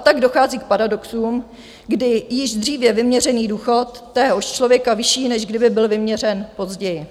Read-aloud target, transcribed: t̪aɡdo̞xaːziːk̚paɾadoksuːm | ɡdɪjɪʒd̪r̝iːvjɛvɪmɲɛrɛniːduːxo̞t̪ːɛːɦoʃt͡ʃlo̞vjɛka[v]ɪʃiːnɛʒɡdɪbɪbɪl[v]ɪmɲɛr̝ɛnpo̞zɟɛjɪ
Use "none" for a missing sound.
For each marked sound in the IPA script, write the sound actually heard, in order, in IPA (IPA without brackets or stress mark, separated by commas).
v, v